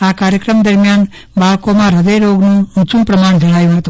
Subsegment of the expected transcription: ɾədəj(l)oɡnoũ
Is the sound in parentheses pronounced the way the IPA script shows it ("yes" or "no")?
no